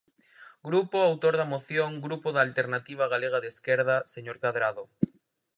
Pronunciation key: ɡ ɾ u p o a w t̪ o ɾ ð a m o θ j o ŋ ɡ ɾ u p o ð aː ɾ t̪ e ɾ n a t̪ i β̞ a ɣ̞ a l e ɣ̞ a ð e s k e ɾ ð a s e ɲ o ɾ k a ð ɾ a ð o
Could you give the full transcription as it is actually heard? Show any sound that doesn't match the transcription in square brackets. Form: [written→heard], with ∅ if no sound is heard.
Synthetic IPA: ɡ ɾ u p o a w t̪ o ɾ ð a m o θ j o ŋ ɡ ɾ u p o ð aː [ɾ→l] t̪ e ɾ n a t̪ i β̞ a ɣ̞ a l e ɣ̞ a ð e s k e ɾ ð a s e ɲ o ɾ k a ð ɾ a ð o